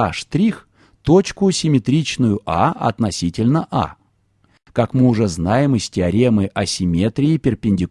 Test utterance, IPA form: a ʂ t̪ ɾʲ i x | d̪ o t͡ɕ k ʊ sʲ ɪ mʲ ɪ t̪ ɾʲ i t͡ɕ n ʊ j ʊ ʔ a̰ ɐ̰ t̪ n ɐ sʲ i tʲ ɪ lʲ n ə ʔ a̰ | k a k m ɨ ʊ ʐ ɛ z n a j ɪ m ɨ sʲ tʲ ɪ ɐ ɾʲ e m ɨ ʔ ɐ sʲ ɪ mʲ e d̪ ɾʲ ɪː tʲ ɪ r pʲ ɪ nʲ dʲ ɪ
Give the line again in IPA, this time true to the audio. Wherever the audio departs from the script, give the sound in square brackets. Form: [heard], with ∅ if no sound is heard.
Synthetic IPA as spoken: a ʂ t̪ ɾʲ i x | [t̪] o t͡ɕ k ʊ sʲ ɪ mʲ ɪ t̪ ɾʲ i t͡ɕ n ʊ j ʊ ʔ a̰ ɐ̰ t̪ n ɐ sʲ i tʲ ɪ lʲ n ə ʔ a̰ | k a k m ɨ ʊ ʐ ɛ z n a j ɪ m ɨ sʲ tʲ ɪ ɐ ɾʲ e m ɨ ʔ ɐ sʲ ɪ mʲ e [t̪] ɾʲ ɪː [pʲ] ɪ r pʲ ɪ nʲ dʲ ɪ